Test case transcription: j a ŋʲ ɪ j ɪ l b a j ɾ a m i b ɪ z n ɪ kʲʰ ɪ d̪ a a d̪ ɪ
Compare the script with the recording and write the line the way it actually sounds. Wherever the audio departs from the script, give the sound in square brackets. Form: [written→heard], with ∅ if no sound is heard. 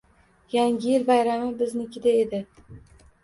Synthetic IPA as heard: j a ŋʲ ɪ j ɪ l b a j ɾ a m [i→ɪ] b ɪ z n ɪ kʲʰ ɪ d̪ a [a→e] d̪ ɪ